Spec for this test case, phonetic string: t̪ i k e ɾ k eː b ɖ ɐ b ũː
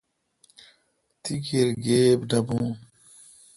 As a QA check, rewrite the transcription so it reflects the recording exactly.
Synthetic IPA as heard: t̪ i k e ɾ ɡ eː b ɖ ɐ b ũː

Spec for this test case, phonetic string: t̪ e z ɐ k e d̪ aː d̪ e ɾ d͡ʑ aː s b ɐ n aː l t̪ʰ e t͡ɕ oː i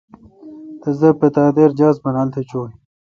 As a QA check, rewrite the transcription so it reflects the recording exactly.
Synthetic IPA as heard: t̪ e z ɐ p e t̪ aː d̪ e ɾ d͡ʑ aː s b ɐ n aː l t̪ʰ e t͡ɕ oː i

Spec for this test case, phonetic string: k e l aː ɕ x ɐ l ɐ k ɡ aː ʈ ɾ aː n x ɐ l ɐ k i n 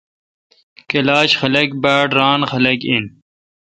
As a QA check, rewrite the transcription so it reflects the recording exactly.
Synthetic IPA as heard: k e l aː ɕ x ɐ l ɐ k b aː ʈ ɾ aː n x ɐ l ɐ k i n

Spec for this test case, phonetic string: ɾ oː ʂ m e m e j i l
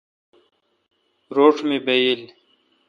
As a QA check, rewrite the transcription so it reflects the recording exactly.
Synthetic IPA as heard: ɾ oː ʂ m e b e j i l

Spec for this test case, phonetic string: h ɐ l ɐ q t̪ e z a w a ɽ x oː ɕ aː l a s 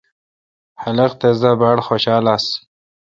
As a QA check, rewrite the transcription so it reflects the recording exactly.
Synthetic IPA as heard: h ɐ l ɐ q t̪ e z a b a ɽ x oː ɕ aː l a s

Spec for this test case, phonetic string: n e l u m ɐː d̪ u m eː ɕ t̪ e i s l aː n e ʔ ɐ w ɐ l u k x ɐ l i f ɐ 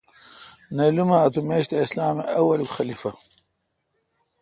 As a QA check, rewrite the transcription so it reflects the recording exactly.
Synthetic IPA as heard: n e l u m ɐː t̪ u m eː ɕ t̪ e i s l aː m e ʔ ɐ w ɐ l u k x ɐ l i f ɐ

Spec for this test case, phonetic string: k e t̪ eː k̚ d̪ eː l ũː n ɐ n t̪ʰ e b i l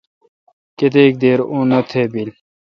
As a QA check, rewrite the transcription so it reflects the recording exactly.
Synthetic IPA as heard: k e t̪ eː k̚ d̪ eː ɾ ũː n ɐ t̪ʰ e b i l

